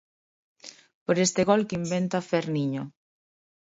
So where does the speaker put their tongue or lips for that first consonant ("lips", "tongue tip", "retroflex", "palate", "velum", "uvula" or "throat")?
lips